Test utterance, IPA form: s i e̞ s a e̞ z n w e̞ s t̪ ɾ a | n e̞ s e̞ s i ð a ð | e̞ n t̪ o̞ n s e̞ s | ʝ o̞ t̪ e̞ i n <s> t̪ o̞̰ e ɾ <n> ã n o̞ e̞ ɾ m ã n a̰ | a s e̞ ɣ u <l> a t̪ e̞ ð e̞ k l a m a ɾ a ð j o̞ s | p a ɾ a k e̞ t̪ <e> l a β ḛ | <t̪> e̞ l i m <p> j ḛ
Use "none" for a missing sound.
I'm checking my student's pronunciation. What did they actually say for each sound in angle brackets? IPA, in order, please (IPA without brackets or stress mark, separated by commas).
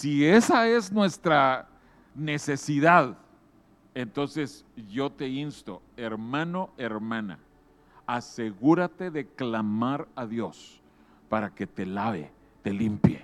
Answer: s, m, ɾ, e, t̪, p